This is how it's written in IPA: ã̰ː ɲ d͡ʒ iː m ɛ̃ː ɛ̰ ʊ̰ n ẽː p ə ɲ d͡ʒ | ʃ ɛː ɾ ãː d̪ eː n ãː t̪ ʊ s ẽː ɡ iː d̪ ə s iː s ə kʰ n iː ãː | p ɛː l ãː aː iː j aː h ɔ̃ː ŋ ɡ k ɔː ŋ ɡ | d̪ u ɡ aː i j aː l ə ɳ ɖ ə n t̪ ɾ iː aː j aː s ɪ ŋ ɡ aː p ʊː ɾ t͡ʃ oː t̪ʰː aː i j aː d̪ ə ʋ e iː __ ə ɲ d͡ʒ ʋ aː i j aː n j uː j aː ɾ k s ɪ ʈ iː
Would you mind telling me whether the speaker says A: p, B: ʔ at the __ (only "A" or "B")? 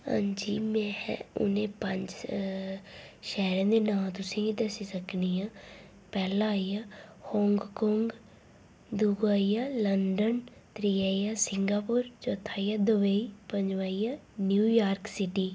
A